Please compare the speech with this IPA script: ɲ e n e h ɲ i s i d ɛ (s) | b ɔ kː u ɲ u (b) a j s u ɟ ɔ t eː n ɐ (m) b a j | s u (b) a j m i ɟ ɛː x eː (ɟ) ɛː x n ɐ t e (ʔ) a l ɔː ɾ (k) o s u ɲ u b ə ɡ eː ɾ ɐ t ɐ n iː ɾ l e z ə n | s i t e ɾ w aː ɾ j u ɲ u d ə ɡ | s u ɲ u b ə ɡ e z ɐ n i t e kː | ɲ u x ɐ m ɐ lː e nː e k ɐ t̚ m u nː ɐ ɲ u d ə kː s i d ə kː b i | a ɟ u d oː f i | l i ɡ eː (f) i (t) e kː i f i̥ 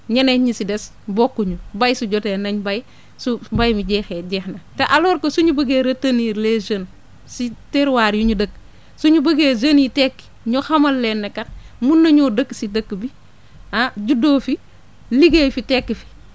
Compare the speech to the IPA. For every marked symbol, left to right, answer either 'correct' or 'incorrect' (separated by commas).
correct, correct, incorrect, correct, correct, correct, correct, correct, correct